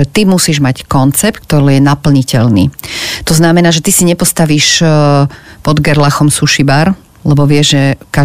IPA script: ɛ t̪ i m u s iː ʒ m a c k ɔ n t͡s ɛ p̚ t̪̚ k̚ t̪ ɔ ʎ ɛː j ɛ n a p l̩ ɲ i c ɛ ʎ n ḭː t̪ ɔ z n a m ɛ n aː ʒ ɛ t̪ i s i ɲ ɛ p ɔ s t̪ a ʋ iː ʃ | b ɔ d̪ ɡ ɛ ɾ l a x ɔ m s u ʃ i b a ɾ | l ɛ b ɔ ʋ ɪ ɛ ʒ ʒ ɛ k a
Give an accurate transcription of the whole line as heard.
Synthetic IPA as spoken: ɛ t̪ i m u s iː ʒ m a c k ɔ n t͡s ɛ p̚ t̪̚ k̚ t̪ ɔ ɾ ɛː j ɛ n a p l̩ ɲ i c ɛ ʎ n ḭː t̪ ɔ z n a m ɛ n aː ʒ ɛ t̪ i s i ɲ ɛ p ɔ s t̪ a ʋ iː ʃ | p ɔ d̪ ɡ ɛ ɾ l a x ɔ m s u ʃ i b a ɾ | l ɛ b ɔ ʋ ɪ ɛ ʒ ʒ ɛ k a